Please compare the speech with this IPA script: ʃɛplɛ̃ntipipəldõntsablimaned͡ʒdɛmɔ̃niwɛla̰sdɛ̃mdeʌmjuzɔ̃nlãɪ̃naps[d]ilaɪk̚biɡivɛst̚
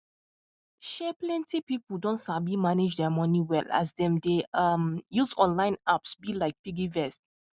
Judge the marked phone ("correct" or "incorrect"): incorrect